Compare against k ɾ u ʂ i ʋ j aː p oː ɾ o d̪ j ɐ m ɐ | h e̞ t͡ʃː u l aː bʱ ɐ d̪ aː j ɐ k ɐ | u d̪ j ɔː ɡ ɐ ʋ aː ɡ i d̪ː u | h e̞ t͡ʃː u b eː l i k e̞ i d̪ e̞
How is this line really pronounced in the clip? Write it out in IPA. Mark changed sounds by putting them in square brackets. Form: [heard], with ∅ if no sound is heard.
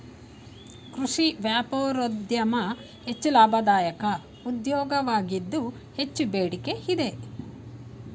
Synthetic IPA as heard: k ɾ u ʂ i ʋ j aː p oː ɾ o d̪ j ɐ m ɐ | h e̞ t͡ʃː u l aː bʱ ɐ d̪ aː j ɐ k ɐ | u d̪ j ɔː ɡ ɐ ʋ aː ɡ i d̪ː u | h e̞ t͡ʃː u b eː [ɽ] i k e̞ i d̪ e̞